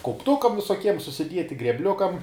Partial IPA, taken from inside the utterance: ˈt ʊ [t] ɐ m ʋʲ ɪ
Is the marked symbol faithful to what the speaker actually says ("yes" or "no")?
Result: no